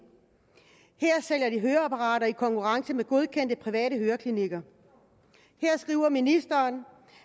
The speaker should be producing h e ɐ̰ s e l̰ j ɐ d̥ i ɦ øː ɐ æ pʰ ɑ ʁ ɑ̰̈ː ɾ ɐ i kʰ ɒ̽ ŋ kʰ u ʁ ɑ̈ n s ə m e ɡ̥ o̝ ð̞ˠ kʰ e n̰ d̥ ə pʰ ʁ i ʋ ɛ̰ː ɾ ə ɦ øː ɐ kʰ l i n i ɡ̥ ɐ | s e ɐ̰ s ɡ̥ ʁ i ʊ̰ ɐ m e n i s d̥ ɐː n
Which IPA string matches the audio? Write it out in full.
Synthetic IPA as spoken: h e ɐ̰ s e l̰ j ɐ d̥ i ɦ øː ɐ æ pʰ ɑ ʁ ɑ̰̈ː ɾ ɐ i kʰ ɒ̽ ŋ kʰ u ʁ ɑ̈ ŋ s ə m e ɡ̥ o̝ ð̞ˠ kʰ e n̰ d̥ ə pʰ ʁ i ʋ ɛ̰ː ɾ ə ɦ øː ɐ kʰ l i n i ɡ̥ ɐ | h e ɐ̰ s ɡ̥ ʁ i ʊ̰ ɐ m i n i s d̥ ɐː n